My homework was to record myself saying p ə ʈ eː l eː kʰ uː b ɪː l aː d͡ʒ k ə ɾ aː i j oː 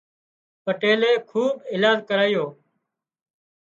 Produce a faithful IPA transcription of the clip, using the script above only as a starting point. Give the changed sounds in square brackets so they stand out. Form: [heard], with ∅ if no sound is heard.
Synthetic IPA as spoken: p ə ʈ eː l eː kʰ uː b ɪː l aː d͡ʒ k ə ɾ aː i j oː